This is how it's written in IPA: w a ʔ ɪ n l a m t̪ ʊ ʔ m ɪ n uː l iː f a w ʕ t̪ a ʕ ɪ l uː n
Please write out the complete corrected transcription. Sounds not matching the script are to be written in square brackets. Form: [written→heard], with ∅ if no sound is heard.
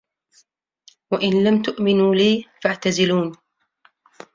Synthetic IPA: w a ʔ ɪ n l a m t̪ ʊ ʔ m ɪ n uː l iː f a [w→∅] ʕ t̪ a [ʕ→z] ɪ l uː n